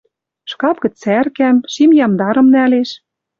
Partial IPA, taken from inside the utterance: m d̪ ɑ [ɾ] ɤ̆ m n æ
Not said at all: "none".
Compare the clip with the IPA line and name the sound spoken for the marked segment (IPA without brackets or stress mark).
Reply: ɾ